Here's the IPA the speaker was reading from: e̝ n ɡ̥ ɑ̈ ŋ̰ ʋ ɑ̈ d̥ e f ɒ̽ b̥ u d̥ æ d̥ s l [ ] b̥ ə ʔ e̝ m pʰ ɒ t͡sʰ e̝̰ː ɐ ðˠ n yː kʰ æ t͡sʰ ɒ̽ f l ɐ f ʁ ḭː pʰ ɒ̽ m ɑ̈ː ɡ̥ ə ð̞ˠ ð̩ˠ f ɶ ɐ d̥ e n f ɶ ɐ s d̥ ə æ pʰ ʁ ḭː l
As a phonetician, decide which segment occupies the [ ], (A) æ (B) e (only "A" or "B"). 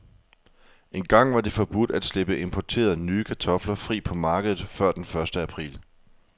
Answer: B